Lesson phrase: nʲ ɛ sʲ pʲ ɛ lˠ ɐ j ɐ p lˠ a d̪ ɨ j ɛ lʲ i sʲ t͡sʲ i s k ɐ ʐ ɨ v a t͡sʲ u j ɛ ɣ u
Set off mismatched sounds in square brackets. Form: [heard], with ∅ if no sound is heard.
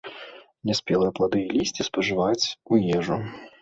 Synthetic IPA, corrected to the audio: nʲ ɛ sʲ pʲ ɛ lˠ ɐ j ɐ p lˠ a d̪ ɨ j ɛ lʲ i sʲ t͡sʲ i s [p] ɐ ʐ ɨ v a t͡sʲ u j ɛ [ʐ] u